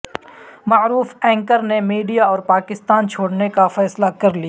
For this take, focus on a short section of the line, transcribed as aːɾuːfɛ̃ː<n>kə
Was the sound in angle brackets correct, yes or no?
no